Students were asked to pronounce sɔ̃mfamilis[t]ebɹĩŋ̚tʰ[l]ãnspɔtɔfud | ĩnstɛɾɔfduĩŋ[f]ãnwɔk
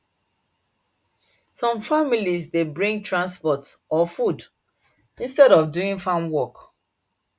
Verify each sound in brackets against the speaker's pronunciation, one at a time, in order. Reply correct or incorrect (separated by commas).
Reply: incorrect, incorrect, correct